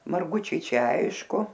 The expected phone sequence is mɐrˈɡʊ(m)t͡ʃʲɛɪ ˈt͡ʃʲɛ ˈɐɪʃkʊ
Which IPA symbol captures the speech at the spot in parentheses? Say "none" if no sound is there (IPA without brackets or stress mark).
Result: none